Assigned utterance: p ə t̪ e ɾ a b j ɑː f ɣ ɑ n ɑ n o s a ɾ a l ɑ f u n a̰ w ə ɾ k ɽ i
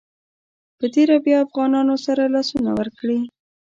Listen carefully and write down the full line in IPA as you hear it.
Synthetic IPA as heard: p ə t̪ e ɾ a b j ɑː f ɣ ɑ n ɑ n o s a ɾ a l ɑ s u n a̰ w ə ɾ k ɽ i